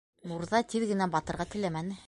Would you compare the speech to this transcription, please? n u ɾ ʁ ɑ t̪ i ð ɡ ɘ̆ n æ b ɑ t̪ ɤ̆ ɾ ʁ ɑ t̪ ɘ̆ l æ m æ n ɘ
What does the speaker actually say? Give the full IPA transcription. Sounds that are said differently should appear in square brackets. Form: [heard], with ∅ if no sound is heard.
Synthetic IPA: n u ɾ [ð] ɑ t̪ i ð ɡ ɘ̆ n æ b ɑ t̪ ɤ̆ ɾ ʁ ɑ t̪ ɘ̆ l æ m æ n ɘ